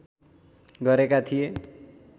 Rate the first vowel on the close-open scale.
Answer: mid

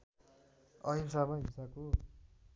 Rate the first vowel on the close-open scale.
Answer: mid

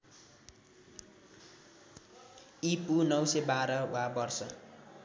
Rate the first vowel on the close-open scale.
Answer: close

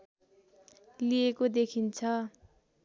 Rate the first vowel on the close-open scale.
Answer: close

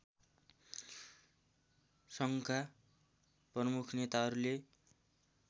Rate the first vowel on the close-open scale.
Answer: mid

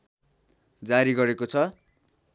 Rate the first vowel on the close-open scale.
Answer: open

